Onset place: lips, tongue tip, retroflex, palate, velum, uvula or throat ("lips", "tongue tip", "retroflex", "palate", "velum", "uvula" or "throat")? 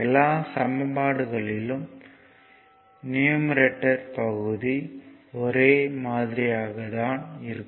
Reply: tongue tip